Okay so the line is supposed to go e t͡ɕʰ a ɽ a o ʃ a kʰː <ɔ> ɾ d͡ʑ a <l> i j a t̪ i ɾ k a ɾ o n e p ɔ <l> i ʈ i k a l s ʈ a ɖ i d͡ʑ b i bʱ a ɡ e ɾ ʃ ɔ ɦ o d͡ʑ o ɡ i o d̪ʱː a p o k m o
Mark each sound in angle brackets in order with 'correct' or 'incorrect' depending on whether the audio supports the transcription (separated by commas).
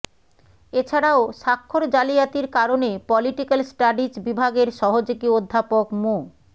incorrect, correct, correct